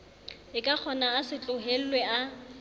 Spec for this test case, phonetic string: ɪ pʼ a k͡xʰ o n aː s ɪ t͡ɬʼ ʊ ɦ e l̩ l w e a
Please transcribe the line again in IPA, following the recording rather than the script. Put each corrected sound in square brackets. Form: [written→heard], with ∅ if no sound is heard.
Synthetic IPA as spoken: ɪ [pʼ→kʼ] a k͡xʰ [o→ɔ] n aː s ɪ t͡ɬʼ ʊ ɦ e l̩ l w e a